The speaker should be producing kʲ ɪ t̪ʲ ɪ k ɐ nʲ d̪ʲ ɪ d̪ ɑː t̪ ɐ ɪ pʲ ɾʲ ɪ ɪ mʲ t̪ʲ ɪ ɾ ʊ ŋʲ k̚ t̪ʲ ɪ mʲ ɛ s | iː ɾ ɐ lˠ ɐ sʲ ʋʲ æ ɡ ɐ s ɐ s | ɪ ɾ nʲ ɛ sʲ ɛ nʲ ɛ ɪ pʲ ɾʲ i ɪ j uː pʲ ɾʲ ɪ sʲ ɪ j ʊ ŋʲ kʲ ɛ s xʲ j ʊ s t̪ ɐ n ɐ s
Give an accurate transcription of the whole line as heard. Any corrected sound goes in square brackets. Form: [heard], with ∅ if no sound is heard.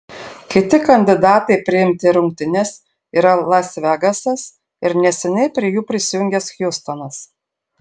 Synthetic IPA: kʲ ɪ t̪ʲ ɪ k ɐ nʲ d̪ʲ ɪ d̪ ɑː t̪ ɐ ɪ pʲ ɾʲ ɪ ɪ mʲ t̪ʲ ɪ ɾ ʊ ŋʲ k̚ t̪ʲ ɪ [nʲ] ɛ s | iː ɾ ɐ lˠ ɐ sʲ ʋʲ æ ɡ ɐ s ɐ s | ɪ ɾ nʲ ɛ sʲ ɛ nʲ ɛ ɪ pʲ ɾʲ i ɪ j uː pʲ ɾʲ ɪ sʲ ɪ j ʊ ŋʲ [ɡʲ] ɛ s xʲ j ʊ s t̪ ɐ n ɐ s